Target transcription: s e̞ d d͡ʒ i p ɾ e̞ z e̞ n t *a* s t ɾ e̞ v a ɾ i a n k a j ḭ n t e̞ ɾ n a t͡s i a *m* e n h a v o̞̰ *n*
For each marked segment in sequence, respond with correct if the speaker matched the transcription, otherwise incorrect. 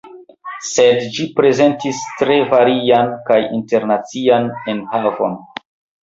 incorrect: i, incorrect: n, correct

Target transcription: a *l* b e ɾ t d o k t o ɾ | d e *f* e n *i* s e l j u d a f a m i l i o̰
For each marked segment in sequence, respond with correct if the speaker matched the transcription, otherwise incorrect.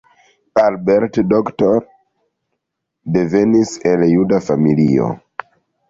correct, incorrect: v, correct

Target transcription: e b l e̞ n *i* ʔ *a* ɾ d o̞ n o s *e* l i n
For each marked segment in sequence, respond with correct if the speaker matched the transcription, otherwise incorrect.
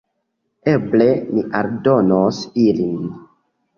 correct, correct, incorrect: i

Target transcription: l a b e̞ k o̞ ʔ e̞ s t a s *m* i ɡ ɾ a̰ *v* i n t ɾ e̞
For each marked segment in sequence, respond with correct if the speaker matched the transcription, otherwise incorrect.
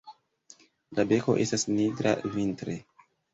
incorrect: n, correct

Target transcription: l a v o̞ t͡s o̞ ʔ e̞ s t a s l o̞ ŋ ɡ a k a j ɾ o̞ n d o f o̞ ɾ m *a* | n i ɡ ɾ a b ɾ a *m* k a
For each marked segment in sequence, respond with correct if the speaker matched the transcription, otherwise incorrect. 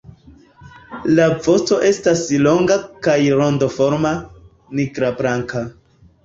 correct, incorrect: ŋ

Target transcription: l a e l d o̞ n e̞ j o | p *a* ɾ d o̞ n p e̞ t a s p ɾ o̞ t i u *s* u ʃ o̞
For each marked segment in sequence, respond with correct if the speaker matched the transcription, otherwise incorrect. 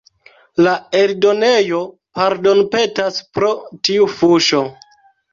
correct, incorrect: f

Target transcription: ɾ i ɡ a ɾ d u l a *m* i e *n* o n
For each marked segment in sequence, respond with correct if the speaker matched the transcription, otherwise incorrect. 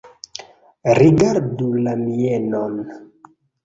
correct, correct

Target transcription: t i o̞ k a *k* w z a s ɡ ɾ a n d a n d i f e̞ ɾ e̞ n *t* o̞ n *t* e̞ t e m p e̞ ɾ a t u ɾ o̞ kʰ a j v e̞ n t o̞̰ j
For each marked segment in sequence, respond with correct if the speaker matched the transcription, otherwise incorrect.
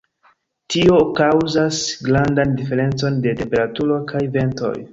incorrect: none, incorrect: t͡s, incorrect: d

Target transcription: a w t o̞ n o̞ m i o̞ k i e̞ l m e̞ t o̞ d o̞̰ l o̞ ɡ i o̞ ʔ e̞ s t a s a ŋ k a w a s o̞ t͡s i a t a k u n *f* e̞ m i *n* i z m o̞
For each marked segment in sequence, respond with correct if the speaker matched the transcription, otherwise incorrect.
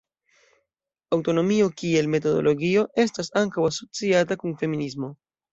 correct, correct

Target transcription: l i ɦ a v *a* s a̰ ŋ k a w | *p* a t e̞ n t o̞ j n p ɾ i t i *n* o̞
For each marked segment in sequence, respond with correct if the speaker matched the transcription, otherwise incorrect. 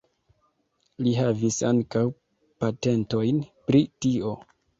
incorrect: i, correct, incorrect: none

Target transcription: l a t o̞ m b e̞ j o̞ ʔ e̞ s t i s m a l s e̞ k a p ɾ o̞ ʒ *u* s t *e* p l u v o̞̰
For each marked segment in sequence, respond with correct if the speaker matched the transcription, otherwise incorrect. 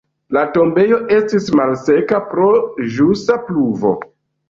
correct, incorrect: a

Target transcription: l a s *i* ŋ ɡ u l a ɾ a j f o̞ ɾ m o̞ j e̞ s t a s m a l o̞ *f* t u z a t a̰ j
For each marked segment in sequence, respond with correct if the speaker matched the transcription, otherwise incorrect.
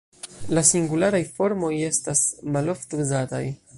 correct, correct

